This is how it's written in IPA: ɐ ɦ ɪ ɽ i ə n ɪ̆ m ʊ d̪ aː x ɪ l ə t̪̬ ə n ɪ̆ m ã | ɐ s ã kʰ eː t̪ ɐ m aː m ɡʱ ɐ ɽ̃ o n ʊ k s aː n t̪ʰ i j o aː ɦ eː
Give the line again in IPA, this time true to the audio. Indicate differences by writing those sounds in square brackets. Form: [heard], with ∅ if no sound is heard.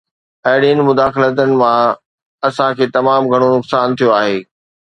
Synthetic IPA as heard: ɐ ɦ ɪ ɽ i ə n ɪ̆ m ʊ d̪ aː x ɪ l ə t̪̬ ə n ɪ̆ m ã | ɐ s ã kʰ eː t̪ ɐ m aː m ɡʱ ɐ ɽ̃ o n ʊ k s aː n t̪ʰ i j o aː ɦ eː